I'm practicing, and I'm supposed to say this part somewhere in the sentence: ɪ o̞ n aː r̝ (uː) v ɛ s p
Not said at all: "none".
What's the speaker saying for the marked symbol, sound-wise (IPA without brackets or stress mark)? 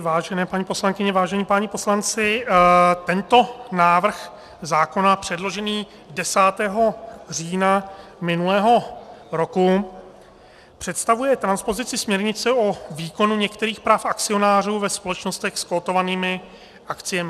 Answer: uː